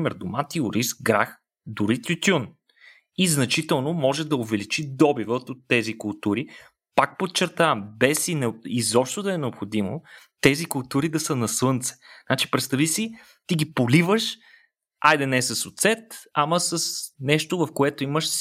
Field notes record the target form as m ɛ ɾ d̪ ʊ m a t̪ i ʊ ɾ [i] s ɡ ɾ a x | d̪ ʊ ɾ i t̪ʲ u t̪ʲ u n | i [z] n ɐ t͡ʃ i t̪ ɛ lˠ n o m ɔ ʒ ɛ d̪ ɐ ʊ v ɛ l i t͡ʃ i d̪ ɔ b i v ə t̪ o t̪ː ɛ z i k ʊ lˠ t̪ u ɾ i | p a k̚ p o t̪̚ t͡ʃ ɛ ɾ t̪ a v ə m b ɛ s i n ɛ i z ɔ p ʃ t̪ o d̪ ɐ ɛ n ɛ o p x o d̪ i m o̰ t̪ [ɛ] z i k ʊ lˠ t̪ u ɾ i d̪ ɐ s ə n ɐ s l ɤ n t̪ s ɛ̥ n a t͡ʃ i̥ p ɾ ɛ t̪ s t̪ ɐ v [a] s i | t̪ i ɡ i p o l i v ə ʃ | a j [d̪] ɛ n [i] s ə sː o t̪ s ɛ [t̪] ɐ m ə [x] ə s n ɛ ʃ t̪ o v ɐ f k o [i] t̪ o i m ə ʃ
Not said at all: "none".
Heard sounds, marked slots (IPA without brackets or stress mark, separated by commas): i, z, ɛ, i, d̪, ɛ, t̪, s, ɛ